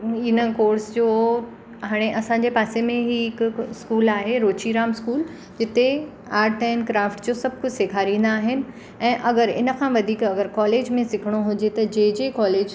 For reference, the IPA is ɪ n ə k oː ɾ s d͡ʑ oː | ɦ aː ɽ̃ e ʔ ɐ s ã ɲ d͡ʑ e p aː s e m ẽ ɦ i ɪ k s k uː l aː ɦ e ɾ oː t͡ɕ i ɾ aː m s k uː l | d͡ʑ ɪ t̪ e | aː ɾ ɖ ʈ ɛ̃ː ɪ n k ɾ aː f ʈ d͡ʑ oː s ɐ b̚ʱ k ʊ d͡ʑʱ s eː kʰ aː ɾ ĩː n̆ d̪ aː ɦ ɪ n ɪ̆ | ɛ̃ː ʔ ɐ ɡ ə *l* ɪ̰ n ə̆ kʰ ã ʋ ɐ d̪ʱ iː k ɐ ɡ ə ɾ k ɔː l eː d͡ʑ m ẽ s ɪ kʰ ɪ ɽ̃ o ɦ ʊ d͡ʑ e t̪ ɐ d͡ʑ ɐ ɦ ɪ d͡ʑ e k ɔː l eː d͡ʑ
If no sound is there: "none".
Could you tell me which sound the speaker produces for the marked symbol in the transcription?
ɾ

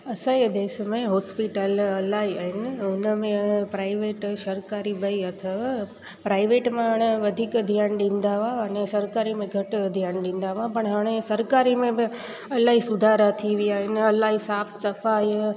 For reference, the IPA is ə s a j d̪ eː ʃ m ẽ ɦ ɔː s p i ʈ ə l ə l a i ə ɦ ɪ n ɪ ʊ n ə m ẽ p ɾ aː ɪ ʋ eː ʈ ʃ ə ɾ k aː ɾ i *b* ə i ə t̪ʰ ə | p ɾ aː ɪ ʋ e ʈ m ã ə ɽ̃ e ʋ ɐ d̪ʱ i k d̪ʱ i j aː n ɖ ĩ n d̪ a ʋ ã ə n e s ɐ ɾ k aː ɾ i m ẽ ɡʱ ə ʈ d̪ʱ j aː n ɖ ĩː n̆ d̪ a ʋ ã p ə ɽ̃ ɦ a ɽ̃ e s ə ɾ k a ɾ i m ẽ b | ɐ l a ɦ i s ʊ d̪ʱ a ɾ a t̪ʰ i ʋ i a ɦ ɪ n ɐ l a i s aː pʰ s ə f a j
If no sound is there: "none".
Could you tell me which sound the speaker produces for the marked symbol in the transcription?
b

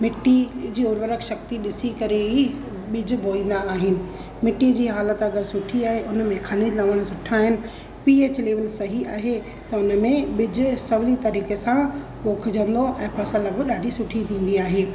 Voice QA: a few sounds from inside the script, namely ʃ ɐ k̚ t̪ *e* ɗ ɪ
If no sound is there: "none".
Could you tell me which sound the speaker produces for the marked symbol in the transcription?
i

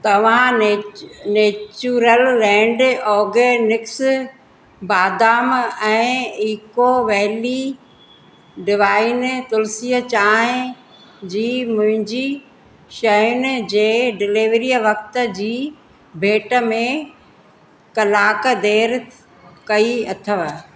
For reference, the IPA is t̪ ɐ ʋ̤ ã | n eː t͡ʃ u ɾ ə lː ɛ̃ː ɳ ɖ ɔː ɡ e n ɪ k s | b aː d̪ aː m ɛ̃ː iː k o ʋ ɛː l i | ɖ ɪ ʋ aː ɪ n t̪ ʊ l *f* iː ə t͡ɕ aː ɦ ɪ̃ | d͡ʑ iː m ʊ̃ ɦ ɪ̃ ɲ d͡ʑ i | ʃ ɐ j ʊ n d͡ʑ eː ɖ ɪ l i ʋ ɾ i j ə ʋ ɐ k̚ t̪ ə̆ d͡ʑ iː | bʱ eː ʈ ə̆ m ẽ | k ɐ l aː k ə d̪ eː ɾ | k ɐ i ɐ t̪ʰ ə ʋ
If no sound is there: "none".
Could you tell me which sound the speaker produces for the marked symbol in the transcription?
s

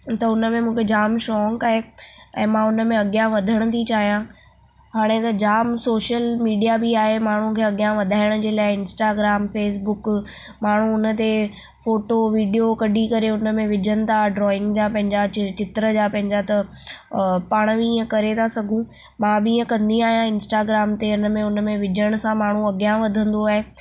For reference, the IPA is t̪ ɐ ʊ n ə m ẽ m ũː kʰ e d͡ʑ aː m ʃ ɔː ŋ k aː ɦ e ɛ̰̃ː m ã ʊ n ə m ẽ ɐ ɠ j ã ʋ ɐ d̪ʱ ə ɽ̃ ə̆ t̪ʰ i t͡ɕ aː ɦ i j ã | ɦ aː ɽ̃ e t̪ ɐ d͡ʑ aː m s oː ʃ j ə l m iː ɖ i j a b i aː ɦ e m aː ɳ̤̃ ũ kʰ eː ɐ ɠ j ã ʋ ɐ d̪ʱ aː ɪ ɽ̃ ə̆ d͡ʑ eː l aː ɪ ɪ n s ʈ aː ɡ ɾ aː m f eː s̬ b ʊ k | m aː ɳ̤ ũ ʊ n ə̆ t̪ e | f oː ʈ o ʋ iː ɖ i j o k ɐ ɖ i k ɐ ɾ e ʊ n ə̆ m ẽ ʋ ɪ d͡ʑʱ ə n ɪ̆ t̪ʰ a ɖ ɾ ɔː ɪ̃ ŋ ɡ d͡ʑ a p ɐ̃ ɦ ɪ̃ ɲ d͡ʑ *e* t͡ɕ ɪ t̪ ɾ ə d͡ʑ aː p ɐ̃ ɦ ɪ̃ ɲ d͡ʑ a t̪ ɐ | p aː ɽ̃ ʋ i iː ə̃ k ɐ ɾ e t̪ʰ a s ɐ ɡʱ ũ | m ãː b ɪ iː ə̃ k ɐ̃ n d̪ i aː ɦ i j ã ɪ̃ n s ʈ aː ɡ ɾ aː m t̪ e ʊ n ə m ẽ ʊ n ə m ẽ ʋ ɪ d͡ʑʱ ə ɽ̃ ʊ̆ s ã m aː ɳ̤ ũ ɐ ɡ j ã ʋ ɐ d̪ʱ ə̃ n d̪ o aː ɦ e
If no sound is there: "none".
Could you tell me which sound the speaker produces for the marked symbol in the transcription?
a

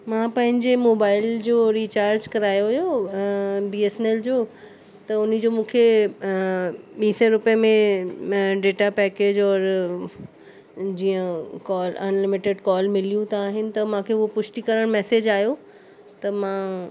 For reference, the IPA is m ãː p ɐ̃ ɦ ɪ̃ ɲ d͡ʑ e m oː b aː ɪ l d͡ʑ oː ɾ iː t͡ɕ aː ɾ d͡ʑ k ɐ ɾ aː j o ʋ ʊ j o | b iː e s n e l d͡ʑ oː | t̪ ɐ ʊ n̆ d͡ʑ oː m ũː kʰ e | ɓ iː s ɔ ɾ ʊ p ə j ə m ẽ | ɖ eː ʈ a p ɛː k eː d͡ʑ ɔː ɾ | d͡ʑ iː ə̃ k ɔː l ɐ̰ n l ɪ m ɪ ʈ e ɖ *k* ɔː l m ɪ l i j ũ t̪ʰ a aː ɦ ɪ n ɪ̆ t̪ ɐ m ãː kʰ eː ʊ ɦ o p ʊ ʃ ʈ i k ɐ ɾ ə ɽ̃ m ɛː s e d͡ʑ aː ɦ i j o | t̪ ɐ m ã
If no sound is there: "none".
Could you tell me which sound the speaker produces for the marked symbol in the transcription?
k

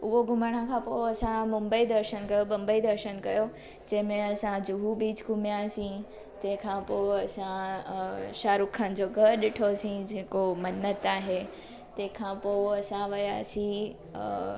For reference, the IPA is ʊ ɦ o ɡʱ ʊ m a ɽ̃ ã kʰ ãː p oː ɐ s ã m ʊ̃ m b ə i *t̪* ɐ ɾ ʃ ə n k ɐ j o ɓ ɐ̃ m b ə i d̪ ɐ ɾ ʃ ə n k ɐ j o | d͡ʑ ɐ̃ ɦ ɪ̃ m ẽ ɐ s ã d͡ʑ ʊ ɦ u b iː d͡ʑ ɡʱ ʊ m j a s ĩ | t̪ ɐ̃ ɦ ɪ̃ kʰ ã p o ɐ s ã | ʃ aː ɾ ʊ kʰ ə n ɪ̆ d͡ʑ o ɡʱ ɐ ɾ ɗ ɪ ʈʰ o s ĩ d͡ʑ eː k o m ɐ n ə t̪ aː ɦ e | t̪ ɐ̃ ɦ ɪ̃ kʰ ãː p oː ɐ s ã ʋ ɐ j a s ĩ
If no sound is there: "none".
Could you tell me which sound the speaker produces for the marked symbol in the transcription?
d̪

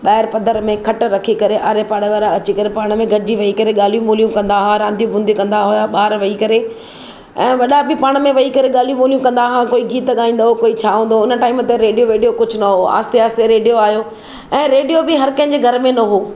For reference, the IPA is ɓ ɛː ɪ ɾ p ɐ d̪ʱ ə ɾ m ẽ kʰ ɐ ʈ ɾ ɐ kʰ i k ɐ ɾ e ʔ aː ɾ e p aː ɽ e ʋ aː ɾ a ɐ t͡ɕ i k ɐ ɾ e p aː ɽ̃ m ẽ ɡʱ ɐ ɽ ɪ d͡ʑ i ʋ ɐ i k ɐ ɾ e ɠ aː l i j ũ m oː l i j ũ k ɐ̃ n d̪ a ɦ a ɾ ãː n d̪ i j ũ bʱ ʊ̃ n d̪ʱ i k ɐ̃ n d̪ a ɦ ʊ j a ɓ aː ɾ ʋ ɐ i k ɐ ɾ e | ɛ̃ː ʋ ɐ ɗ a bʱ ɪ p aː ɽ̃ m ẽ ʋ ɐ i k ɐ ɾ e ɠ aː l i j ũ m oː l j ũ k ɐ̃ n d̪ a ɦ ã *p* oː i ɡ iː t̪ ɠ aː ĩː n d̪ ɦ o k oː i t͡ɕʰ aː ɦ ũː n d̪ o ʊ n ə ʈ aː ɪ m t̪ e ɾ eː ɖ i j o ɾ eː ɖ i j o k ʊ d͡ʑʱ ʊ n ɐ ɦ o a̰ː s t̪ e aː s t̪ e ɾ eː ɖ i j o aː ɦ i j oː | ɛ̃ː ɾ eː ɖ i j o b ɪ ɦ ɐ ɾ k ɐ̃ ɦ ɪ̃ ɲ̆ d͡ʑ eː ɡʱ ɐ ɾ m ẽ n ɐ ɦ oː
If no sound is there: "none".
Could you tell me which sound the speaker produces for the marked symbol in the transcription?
k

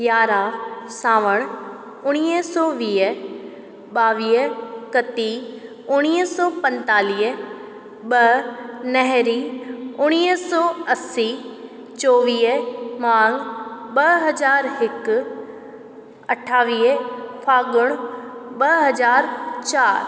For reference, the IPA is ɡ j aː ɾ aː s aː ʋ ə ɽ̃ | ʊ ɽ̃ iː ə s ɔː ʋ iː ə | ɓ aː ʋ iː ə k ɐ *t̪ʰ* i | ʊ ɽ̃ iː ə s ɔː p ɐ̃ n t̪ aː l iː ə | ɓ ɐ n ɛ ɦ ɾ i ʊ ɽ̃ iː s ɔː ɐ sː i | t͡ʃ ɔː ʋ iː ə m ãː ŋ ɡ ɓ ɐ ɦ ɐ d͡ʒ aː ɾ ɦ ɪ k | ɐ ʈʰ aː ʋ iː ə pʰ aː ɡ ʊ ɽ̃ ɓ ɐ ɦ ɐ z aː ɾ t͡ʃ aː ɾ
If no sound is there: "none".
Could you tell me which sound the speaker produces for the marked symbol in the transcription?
t̪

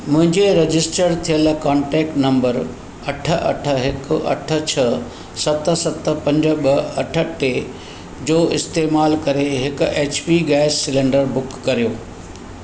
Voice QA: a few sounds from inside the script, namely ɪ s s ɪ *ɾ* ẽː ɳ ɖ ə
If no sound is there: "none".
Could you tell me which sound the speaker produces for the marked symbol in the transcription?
l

